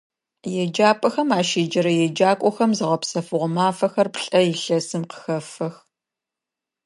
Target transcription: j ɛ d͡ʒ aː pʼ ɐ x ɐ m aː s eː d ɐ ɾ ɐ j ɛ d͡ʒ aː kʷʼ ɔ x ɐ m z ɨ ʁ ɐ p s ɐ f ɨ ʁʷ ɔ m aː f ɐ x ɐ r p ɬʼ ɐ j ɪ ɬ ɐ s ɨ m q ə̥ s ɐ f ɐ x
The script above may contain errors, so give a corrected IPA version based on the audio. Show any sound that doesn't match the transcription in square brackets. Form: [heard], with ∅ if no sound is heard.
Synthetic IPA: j ɛ d͡ʒ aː pʼ ɐ x ɐ m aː [ʃ] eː [d͡ʒ] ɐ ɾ ɐ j ɛ d͡ʒ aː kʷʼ ɔ x ɐ m z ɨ ʁ ɐ p s ɐ f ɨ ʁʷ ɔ m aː f ɐ x ɐ r p ɬʼ ɐ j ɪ ɬ ɐ s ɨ m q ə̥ [x] ɐ f ɐ x

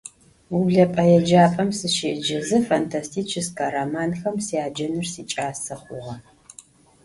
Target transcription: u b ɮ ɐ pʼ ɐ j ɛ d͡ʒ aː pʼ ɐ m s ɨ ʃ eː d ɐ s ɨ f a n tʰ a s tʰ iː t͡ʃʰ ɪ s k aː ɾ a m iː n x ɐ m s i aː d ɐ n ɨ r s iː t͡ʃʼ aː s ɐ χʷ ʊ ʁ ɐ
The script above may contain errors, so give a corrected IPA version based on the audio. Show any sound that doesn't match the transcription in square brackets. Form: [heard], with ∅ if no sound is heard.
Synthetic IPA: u b ɮ ɐ pʼ ɐ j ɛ d͡ʒ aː pʼ ɐ m s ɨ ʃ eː [d͡ʒ] ɐ [z] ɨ f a n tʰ a s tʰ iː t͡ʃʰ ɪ s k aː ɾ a m [aː] n x ɐ m s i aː [d͡ʒ] ɐ n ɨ r s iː t͡ʃʼ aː s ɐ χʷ ʊ ʁ ɐ

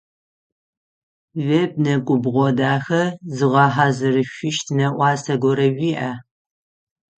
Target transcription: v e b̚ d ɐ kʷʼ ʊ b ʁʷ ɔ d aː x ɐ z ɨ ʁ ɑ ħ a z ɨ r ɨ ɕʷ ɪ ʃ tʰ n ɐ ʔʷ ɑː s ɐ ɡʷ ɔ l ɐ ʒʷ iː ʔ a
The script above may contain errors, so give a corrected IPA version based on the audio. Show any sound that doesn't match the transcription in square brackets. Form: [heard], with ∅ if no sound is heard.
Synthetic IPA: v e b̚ [n] ɐ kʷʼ ʊ b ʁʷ ɔ d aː x ɐ z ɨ ʁ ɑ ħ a z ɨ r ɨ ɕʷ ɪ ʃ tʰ n ɐ ʔʷ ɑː s ɐ ɡʷ ɔ [ɾ] ɐ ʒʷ iː ʔ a

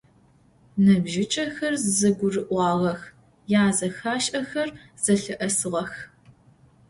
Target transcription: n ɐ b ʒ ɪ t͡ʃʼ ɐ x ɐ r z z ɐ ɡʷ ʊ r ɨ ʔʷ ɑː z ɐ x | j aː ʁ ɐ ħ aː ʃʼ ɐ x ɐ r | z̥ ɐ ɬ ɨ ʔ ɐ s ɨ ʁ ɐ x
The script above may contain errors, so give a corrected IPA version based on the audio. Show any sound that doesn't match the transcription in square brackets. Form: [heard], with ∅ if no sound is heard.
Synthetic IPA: n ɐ b ʒ ɪ t͡ʃʼ ɐ x ɐ r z z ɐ ɡʷ ʊ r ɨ ʔʷ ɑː [ʁ] ɐ x | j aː [z] ɐ [x] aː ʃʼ ɐ x ɐ r | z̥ ɐ ɬ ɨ ʔ ɐ s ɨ ʁ ɐ x

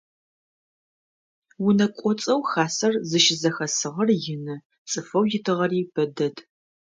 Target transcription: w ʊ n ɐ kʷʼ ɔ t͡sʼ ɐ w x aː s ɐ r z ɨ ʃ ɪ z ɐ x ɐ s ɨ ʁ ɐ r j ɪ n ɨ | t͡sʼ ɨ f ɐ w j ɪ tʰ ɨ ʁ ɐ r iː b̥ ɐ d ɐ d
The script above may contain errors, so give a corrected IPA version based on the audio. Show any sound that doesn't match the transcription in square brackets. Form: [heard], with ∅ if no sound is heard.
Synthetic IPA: w ʊ n ɐ kʷʼ ɔ t͡sʼ ɐ w x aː s ɐ r z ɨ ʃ ɪ z ɐ x ɐ s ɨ ʁ ɐ r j ɪ n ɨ | t͡sʼ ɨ f ɐ w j ɪ tʰ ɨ ʁ ɐ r iː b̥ ɐ d ɐ d

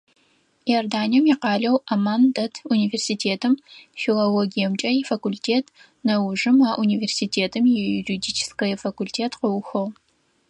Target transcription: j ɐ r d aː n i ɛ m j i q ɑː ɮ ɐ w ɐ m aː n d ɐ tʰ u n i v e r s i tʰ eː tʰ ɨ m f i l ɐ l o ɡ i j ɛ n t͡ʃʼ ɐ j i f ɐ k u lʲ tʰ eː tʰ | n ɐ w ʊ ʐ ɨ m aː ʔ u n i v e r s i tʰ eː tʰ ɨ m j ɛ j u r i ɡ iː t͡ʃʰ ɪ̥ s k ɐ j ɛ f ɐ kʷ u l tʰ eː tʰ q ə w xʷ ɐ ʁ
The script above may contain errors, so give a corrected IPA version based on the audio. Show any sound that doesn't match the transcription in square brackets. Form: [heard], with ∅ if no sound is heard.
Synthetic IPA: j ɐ r d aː n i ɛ m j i q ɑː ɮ ɐ w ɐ m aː n d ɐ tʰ u n i v e r s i tʰ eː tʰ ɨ m f i l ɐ l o ɡ i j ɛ [m] t͡ʃʼ ɐ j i f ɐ k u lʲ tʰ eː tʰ | n ɐ w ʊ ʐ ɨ m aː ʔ u n i v e r s i tʰ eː tʰ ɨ m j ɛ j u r i [d] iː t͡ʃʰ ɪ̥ s k ɐ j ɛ f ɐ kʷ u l tʰ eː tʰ q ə w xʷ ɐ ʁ

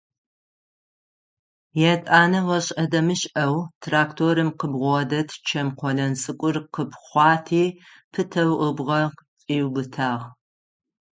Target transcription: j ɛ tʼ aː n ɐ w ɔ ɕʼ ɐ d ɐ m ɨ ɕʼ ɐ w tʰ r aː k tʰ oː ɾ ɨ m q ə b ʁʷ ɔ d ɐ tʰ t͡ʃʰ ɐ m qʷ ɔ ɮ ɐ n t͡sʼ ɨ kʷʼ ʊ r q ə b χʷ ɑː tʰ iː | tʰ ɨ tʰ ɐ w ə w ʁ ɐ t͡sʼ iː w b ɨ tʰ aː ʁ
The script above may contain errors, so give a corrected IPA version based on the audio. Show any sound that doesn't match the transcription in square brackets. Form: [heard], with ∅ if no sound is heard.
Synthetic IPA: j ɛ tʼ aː n ɐ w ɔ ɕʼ ɐ d ɐ m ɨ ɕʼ ɐ w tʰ r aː k tʰ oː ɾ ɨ m q ə b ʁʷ ɔ d ɐ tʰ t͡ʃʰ ɐ m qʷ ɔ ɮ ɐ n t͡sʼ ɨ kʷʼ ʊ r q ə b χʷ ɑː tʰ iː | [pʰ] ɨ tʰ ɐ w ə [b] ʁ ɐ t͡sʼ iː w b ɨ tʰ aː ʁ

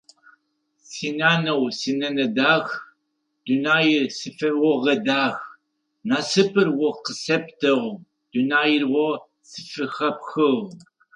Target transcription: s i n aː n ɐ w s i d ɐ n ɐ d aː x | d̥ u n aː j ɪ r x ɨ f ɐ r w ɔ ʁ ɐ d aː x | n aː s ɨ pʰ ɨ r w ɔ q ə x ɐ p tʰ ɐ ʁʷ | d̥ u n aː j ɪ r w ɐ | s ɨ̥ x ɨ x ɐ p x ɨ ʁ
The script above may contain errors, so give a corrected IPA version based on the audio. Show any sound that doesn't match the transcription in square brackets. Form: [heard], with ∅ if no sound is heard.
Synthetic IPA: s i n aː n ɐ w s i [n] ɐ n ɐ d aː x | d̥ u n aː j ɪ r [s] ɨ f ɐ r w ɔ ʁ ɐ d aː x | n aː s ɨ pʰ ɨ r w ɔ q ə [s] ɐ p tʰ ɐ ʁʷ | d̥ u n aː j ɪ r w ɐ | s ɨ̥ [f] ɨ x ɐ p x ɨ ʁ

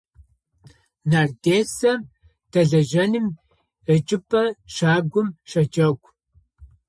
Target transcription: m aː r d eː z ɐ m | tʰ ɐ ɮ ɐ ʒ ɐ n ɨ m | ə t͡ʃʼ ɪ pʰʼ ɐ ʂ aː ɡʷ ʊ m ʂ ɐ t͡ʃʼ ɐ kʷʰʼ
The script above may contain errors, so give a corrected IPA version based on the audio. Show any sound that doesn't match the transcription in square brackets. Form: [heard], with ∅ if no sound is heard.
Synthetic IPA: [n] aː r d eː [s] ɐ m | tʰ ɐ ɮ ɐ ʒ ɐ n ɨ m | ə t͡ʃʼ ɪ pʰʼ ɐ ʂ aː ɡʷ ʊ m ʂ ɐ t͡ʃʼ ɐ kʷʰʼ

